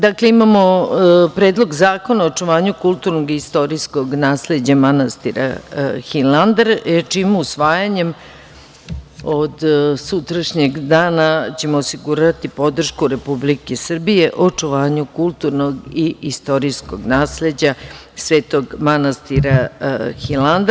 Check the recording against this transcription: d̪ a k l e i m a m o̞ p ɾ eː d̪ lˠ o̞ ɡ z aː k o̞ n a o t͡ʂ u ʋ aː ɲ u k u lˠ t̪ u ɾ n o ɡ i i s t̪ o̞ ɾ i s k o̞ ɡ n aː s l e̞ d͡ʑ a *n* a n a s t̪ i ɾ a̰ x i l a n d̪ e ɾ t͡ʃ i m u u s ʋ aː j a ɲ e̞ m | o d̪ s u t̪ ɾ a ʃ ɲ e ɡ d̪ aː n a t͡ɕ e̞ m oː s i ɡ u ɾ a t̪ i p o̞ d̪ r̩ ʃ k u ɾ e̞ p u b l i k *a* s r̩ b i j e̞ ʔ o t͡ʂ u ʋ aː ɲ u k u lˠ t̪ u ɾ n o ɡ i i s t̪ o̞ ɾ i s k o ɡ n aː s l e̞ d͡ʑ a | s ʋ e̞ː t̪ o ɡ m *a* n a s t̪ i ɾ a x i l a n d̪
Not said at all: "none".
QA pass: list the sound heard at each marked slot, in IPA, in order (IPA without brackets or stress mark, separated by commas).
m, e, a